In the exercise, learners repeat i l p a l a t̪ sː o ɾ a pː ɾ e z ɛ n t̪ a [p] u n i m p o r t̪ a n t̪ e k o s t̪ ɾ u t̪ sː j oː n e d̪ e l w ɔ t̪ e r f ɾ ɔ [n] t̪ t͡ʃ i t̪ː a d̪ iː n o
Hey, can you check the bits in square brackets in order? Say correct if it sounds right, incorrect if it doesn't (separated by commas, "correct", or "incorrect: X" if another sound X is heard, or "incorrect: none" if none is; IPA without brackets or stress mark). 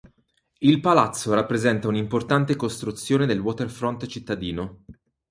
incorrect: none, correct